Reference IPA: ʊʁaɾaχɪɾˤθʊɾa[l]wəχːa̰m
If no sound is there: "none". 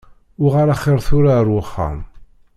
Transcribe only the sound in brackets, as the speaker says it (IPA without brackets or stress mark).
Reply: ɾ